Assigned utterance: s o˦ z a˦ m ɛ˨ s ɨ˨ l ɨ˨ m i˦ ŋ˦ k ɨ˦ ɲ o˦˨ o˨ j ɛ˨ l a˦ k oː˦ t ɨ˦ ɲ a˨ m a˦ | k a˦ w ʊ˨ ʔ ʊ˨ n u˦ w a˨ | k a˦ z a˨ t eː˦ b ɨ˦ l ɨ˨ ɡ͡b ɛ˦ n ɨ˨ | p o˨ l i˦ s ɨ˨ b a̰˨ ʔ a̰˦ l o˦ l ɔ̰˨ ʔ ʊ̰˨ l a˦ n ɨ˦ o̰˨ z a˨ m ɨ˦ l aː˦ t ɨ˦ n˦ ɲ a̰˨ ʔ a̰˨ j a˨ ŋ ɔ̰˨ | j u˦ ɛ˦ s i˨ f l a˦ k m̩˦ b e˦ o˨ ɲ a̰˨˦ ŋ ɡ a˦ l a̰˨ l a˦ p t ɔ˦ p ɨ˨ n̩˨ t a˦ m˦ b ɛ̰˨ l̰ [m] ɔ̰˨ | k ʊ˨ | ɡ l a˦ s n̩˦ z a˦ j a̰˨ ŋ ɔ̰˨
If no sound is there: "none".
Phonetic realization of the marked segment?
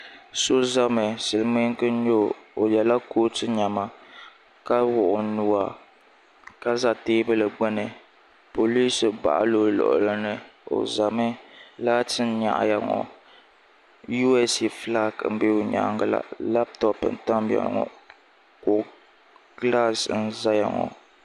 ŋ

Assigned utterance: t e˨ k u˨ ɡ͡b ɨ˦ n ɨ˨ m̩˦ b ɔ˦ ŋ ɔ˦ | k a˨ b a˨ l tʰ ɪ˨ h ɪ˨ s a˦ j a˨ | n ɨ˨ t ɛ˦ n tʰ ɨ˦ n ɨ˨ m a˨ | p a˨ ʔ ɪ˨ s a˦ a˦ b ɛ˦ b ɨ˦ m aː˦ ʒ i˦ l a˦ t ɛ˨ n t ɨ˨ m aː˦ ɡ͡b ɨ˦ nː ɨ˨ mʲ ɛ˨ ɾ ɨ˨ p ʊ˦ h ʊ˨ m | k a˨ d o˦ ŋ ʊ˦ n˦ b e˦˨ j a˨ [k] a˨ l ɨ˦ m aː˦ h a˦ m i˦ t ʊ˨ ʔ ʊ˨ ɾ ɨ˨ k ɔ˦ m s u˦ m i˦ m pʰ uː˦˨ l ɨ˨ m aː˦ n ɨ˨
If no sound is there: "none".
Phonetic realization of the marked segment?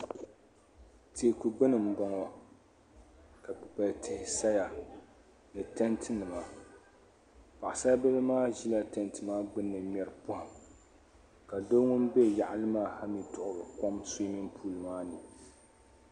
ʔ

